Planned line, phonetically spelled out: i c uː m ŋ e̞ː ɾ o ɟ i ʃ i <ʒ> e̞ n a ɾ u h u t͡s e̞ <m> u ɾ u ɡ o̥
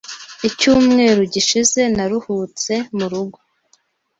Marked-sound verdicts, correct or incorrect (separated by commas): incorrect, correct